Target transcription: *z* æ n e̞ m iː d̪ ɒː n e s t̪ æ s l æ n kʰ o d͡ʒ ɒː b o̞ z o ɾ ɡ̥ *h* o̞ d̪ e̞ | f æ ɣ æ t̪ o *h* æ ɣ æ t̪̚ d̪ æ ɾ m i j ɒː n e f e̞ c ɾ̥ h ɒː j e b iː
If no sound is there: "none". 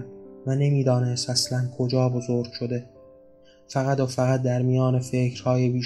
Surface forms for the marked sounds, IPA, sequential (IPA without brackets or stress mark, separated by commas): v, ʃ, f